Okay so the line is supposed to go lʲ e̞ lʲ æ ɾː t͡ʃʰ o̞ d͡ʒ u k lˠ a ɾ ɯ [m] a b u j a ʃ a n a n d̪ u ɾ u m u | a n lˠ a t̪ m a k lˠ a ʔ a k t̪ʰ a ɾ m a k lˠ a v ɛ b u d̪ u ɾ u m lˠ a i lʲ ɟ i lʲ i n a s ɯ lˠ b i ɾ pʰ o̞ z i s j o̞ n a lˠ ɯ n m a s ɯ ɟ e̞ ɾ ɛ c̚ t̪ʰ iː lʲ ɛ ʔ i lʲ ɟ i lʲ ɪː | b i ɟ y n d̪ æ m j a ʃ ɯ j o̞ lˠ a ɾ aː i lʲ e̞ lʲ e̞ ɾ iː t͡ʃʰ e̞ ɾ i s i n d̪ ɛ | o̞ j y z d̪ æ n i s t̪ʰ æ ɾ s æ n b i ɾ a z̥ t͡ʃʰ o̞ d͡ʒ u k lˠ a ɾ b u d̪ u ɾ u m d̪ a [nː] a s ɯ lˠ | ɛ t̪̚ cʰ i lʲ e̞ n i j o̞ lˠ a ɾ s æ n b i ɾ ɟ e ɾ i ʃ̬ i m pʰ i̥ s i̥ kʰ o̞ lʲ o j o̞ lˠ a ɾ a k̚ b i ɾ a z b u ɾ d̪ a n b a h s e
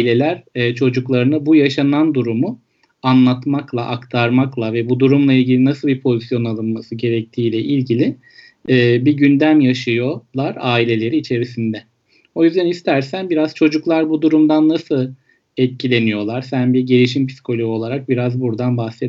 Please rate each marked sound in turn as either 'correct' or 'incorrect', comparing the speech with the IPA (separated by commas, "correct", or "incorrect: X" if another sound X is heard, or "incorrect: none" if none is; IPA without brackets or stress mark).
incorrect: n, correct